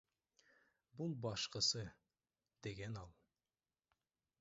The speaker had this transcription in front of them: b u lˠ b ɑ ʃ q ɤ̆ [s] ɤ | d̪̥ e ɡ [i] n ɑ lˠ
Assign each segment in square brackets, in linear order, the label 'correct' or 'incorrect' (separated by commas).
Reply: correct, incorrect